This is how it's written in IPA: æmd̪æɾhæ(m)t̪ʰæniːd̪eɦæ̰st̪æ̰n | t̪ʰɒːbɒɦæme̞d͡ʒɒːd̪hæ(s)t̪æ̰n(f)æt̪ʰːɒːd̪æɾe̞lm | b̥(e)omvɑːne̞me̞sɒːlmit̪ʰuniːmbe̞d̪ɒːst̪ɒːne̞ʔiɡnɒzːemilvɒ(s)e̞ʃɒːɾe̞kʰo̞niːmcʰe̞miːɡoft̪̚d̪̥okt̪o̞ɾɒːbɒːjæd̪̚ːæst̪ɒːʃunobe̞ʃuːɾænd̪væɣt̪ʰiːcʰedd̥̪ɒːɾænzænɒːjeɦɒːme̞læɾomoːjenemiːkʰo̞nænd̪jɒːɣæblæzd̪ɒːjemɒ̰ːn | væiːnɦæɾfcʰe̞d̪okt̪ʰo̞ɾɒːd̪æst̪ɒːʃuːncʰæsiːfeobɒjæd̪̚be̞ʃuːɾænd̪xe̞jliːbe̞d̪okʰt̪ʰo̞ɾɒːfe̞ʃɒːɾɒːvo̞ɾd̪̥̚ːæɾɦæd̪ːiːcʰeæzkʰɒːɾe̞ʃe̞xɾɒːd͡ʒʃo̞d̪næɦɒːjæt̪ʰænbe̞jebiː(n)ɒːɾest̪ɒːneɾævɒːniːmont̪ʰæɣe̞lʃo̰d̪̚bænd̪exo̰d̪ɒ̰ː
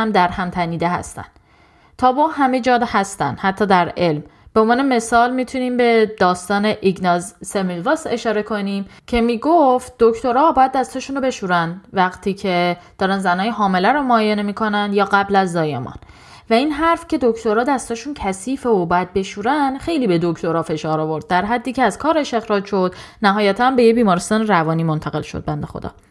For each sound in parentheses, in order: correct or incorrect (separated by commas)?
correct, correct, incorrect, correct, correct, incorrect